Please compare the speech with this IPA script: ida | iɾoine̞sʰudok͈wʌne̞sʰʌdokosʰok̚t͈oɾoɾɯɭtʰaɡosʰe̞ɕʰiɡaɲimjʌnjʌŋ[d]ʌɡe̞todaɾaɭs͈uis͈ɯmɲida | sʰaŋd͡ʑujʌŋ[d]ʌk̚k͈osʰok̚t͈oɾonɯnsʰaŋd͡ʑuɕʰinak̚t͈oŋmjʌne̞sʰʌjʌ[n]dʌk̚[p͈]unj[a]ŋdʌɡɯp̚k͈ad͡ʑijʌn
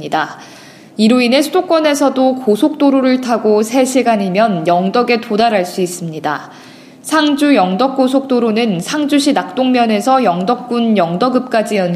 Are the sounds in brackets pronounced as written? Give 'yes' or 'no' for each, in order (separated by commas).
yes, yes, no, no, no